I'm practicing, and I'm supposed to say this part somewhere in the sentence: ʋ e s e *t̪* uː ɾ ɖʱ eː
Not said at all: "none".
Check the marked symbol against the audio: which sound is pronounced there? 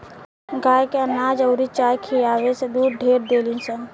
d̪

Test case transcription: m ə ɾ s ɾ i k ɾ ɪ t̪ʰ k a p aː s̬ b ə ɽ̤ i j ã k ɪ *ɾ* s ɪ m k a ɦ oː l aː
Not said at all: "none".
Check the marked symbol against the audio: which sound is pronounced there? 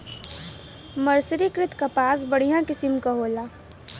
none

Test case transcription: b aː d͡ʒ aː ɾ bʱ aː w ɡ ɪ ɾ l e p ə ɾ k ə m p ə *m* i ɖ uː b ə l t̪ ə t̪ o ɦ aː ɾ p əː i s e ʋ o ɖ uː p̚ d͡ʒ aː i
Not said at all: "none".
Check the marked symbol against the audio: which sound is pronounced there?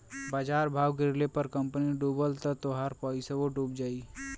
n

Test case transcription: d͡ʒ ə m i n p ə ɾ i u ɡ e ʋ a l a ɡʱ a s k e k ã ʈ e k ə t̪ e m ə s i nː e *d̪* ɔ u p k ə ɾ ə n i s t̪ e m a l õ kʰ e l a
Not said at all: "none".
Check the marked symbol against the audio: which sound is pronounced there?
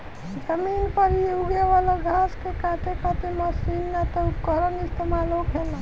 t̪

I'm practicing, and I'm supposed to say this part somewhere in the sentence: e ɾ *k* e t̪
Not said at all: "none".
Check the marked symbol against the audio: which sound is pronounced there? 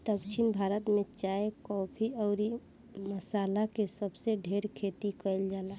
kʰ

